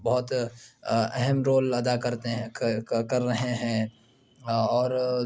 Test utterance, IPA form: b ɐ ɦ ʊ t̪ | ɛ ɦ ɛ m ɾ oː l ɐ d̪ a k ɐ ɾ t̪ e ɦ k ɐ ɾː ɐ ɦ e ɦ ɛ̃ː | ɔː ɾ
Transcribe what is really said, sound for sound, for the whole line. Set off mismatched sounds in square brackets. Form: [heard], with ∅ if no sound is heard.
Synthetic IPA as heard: b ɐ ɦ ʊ t̪ | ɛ ɦ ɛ m ɾ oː l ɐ d̪ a k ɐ ɾ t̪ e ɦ k ɐ ɾː ɐ ɦ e ɦ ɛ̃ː | ɔː ɾ